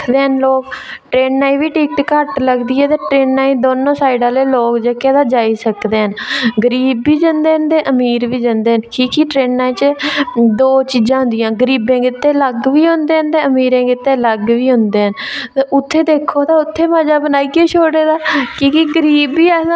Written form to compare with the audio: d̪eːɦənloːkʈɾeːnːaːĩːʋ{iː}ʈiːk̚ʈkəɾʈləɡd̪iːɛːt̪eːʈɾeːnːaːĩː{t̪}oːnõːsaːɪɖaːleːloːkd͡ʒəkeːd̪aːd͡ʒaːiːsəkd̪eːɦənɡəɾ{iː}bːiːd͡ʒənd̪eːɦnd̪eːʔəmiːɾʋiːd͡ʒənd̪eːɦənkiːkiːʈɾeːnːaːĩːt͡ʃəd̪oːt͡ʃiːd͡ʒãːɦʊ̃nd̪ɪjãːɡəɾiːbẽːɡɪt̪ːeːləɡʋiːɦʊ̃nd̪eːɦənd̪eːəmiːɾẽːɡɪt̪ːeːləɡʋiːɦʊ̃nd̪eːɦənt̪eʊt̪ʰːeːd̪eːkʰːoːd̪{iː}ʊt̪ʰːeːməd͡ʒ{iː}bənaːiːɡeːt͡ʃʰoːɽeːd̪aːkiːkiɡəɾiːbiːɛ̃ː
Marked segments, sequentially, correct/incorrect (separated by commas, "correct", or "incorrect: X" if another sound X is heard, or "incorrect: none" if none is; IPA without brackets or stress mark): correct, incorrect: d̪, correct, incorrect: aː, incorrect: aː